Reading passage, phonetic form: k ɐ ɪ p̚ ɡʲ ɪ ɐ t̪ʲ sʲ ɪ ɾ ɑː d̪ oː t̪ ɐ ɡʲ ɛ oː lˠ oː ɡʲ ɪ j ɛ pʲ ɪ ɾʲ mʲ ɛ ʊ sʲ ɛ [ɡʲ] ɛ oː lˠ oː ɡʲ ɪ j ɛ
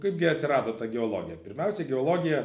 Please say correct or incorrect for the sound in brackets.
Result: correct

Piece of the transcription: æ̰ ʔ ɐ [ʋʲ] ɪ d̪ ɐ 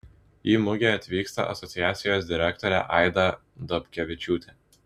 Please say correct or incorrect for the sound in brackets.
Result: incorrect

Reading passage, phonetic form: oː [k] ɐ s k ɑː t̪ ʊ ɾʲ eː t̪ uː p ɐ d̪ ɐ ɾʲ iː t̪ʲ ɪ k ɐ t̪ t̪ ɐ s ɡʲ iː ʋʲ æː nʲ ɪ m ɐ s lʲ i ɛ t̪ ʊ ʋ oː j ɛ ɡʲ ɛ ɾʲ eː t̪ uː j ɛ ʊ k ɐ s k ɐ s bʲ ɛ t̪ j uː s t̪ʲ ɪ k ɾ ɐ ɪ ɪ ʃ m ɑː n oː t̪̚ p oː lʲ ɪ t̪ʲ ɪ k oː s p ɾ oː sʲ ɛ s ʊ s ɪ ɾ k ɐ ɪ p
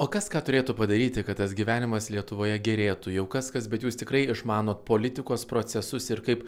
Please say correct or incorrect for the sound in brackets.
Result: correct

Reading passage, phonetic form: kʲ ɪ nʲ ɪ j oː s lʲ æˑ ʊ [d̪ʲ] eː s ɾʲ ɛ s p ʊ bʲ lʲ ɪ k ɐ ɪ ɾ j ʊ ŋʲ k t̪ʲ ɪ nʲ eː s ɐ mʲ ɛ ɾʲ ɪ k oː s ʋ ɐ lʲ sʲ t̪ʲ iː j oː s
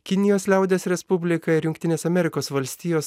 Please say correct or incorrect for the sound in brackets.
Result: correct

